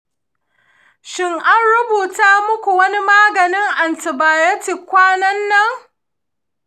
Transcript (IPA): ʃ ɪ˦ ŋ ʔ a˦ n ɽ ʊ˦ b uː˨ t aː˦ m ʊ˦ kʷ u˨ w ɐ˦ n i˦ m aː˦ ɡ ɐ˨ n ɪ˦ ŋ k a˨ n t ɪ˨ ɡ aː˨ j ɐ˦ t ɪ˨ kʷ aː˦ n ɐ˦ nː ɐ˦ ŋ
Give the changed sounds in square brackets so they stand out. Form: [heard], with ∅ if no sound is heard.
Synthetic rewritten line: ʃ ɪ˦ ŋ ʔ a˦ n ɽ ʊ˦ b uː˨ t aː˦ m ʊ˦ kʷ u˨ w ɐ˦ n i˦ m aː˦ ɡ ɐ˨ n ɪ˦ ŋ [ʔ] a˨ n t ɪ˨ [b] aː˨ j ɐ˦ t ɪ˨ kʷ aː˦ n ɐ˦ nː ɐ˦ ŋ

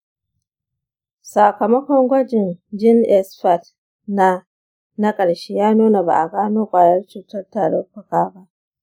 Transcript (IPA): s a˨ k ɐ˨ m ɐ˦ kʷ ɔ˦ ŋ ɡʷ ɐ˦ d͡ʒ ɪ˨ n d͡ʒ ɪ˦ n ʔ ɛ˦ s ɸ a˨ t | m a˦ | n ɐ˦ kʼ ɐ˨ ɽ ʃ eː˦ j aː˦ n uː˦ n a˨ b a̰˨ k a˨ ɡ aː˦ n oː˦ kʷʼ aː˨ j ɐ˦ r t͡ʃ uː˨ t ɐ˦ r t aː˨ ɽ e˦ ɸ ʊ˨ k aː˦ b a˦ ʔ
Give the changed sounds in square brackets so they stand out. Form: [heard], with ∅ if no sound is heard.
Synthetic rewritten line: s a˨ k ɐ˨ m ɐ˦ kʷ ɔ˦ ŋ ɡʷ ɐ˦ d͡ʒ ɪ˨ n d͡ʒ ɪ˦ n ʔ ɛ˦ s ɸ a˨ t | [n] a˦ | n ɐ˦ kʼ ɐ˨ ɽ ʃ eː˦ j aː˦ n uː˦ n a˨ b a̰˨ [ʔ] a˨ ɡ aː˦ n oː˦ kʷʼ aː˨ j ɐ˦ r t͡ʃ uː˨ t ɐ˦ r t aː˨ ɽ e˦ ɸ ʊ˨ k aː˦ b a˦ ʔ

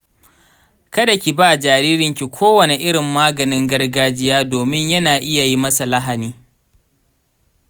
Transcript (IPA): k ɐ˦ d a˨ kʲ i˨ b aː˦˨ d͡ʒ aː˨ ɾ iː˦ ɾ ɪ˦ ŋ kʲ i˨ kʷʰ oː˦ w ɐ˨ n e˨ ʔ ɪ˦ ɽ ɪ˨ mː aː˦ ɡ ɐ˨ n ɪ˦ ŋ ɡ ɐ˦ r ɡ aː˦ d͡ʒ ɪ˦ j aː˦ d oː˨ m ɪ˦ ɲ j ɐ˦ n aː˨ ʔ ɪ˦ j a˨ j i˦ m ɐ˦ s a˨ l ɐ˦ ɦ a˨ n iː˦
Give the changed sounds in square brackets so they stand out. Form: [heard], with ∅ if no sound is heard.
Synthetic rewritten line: k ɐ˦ d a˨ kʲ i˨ b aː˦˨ d͡ʒ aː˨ ɾ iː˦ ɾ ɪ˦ ŋ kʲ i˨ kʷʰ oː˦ w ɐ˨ n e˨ ʔ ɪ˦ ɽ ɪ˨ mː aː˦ ɡ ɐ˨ n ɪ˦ ŋ ɡ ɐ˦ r ɡ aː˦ d͡ʒ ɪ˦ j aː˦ d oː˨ m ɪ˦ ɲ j ɐ˦ n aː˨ ʔ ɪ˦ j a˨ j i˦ m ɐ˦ s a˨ l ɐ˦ ɦ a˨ n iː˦

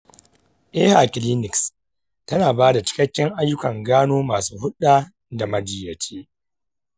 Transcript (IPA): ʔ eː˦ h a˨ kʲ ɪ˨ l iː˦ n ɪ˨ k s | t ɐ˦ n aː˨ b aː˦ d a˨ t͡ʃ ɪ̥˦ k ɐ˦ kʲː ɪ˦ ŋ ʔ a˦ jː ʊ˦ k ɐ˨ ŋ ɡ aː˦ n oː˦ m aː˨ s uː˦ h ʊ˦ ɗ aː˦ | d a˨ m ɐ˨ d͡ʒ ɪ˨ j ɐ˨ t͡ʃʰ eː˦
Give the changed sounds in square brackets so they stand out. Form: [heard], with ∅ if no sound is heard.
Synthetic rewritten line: ʔ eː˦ h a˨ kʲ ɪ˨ l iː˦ n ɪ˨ k s | t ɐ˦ n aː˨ b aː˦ d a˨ t͡ʃ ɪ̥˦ k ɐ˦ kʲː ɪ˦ ŋ ʔ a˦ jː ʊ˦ k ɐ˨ ŋ ɡ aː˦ n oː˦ m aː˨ s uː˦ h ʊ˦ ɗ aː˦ | d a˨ m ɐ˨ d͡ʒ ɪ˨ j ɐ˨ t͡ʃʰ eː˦

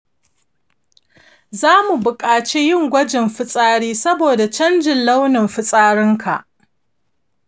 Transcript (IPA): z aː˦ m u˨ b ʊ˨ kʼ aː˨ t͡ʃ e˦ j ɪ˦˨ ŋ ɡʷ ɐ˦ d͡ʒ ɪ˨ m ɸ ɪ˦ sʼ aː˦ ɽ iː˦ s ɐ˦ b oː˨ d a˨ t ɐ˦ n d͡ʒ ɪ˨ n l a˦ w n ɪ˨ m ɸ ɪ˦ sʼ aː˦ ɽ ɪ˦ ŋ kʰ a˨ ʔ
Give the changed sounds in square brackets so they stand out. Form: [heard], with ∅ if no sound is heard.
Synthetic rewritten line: z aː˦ m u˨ b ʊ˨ kʼ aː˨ t͡ʃ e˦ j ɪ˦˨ ŋ ɡʷ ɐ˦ d͡ʒ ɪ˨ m ɸ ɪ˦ sʼ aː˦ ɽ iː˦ s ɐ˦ b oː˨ d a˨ [t͡ʃ] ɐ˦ n d͡ʒ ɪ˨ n l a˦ w n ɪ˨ m ɸ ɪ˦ sʼ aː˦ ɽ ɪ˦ ŋ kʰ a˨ ʔ

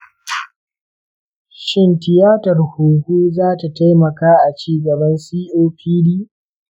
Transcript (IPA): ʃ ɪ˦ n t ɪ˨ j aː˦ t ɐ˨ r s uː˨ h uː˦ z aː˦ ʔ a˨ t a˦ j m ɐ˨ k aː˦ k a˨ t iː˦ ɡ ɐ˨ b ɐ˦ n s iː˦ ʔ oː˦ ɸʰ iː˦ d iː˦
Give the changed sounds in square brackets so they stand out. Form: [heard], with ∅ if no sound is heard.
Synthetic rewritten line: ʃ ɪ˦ n t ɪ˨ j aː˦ t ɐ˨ r [h] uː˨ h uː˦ z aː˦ [t] a˨ t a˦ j m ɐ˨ k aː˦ [ʔ] a˨ [t͡ʃ] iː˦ ɡ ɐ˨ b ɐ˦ n s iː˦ ʔ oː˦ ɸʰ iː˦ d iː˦

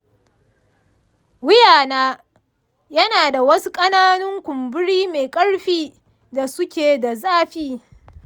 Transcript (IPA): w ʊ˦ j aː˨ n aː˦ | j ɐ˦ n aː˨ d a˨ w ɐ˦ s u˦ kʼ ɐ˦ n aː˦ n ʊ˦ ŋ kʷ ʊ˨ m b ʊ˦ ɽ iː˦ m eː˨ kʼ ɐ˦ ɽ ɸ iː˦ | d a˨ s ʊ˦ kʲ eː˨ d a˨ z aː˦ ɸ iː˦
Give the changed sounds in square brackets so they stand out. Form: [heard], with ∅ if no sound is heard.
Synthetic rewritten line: w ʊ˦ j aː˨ n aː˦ | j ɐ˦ n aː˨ d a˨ w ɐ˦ s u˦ kʼ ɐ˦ n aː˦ n ʊ˦ ŋ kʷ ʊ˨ m b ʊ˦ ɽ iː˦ m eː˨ kʼ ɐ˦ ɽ ɸ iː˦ | d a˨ s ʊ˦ kʲ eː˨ d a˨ z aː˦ ɸ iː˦

